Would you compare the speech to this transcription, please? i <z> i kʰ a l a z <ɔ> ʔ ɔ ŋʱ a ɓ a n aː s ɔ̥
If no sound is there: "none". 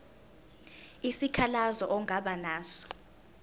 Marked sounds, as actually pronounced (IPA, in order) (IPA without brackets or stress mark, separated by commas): s, ɔ